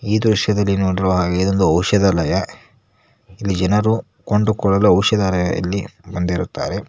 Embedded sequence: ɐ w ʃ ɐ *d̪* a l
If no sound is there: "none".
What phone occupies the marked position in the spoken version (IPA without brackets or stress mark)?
d̪